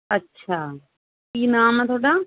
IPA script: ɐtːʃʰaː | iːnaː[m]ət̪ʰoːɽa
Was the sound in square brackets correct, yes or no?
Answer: yes